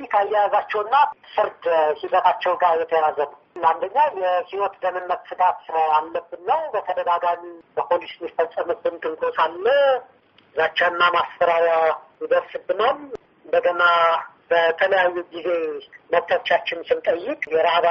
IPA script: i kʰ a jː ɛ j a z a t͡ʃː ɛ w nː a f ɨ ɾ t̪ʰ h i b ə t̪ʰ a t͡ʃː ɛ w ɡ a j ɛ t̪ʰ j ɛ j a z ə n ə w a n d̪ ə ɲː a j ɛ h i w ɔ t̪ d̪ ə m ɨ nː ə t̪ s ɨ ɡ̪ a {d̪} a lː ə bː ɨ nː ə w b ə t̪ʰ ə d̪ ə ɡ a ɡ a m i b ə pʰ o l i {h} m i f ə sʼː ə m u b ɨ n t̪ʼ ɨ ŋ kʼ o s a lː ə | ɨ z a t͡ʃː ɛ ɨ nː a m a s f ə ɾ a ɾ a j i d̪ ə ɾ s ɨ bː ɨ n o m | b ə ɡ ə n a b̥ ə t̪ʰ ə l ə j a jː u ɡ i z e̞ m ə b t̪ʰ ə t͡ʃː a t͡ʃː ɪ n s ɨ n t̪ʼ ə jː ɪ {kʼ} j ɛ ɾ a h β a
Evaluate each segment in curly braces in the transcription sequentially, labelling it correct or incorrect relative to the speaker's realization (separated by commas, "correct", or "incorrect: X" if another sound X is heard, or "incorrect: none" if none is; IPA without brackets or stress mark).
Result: incorrect: t̪, incorrect: s, correct